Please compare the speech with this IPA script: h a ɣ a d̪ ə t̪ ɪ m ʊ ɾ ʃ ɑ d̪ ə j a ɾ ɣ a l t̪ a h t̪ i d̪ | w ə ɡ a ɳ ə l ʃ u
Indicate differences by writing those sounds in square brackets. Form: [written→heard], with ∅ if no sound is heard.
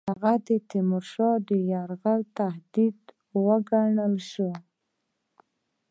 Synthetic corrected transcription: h a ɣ a d̪ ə t̪ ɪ m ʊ ɾ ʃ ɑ d̪ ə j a ɾ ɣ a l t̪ a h [t̪→d̪] i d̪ | w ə ɡ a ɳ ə l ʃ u